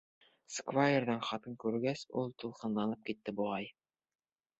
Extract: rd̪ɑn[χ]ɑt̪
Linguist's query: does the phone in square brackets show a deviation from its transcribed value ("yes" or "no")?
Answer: no